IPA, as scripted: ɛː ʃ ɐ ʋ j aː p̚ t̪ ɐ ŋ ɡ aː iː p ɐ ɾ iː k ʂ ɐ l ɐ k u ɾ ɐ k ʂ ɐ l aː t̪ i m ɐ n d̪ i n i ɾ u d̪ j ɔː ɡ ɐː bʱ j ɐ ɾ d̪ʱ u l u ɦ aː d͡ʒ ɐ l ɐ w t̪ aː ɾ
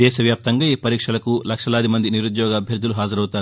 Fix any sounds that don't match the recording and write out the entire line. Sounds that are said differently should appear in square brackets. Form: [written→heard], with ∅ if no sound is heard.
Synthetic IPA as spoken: ɛː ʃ ɐ ʋ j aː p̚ t̪ ɐ ŋ ɡ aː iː p ɐ ɾ iː k ʂ ɐ l ɐ k u [ɾ→l] ɐ k ʂ ɐ l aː [t̪→d̪] i m ɐ n d̪ i n i ɾ u d̪ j ɔː ɡ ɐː bʱ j ɐ ɾ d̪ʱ u l u ɦ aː d͡ʒ ɐ [l→ɾ] ɐ w t̪ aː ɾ